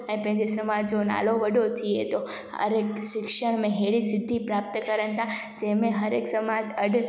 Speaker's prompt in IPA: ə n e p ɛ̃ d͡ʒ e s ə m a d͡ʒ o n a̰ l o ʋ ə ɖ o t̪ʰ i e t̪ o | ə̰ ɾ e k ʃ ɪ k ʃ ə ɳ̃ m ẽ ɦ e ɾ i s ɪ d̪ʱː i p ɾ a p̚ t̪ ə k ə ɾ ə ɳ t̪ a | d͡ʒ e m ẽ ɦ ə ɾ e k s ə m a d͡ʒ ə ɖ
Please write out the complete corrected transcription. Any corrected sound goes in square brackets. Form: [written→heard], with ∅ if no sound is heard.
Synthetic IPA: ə n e p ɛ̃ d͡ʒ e s ə m a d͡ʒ o n a̰ l o ʋ ə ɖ o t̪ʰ i e t̪ o | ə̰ ɾ e k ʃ ɪ k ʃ ə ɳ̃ m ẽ ɦ e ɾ i s ɪ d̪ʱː i p ɾ a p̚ t̪ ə k ə ɾ ə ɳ t̪ a | d͡ʒ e m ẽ ɦ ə ɾ e k s ə m a d͡ʒ ə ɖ